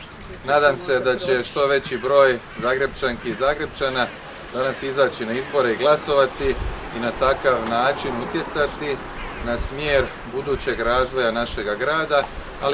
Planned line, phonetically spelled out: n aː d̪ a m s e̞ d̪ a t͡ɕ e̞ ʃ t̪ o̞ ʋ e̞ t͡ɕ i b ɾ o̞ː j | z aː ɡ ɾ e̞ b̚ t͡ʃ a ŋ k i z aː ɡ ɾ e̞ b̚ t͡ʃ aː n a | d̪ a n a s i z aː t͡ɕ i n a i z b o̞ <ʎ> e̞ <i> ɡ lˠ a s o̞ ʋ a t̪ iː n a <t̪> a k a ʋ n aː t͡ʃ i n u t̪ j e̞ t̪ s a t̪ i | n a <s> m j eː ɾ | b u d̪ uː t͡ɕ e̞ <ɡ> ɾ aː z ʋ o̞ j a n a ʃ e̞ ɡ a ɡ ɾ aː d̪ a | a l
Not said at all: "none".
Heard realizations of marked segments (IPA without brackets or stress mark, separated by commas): ɾ, i, t̪, s, ɡ